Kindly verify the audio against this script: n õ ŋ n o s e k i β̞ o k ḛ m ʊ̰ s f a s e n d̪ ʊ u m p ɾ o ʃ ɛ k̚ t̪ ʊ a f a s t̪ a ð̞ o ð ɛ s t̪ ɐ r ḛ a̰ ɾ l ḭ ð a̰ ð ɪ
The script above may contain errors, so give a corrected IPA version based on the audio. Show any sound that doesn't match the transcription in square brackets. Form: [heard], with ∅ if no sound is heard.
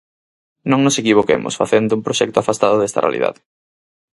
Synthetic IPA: n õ ŋ n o s e k i β̞ o k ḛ m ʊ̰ s f a [θ] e n d̪ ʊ u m p ɾ o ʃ ɛ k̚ t̪ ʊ a f a s t̪ a ð̞ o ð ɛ s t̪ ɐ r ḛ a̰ [∅] l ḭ ð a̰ ð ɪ